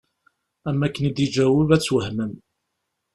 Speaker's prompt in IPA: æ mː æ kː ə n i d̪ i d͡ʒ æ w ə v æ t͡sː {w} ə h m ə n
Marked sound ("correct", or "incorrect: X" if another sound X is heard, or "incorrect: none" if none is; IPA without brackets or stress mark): correct